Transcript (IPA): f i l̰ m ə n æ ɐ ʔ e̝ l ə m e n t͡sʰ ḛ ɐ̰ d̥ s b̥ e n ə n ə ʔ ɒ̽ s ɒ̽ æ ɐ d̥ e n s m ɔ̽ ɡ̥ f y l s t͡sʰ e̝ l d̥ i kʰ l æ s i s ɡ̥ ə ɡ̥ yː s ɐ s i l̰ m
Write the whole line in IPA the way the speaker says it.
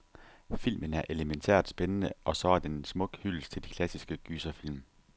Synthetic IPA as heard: f i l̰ m ə n æ ɐ ʔ e̝ l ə m e n t͡sʰ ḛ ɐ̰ d̥ s b̥ e n ə n ə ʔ ɒ̽ s ɒ̽ æ ɐ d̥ e n s m ɔ̽ ɡ̥ h y l s t͡sʰ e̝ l d̥ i kʰ l æ s i s ɡ̥ ə ɡ̥ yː s ɐ f i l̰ m